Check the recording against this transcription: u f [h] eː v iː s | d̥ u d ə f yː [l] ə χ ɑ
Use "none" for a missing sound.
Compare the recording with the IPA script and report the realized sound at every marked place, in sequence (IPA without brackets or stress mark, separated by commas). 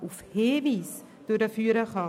h, ɾ